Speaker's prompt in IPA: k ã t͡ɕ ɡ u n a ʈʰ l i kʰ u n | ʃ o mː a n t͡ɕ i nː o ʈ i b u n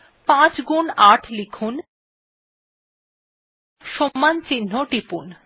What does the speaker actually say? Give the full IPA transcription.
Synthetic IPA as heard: p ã t͡ɕ ɡ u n a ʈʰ l i kʰ u n | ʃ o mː a n t͡ɕ i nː o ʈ i p u n